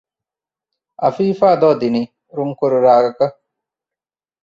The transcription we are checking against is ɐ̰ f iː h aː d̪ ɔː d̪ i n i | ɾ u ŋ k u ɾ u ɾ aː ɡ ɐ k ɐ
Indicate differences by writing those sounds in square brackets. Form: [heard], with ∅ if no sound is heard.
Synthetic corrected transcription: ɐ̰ f iː [f] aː d̪ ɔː d̪ i n i | ɾ u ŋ k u ɾ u ɾ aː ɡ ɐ k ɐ